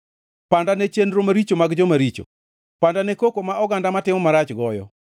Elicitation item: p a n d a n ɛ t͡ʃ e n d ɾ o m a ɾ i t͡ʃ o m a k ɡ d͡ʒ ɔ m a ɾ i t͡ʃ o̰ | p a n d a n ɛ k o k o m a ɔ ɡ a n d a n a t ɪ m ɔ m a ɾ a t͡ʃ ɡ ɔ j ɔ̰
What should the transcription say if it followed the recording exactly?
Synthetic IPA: p a n d a n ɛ t͡ʃ e n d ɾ o m a ɾ i t͡ʃ o m a ɡ d͡ʒ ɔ m a ɾ i t͡ʃ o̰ | p a n d a n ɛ k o k o m a ɔ ɡ a n d a m a t ɪ m ɔ m a ɾ a t͡ʃ ɡ ɔ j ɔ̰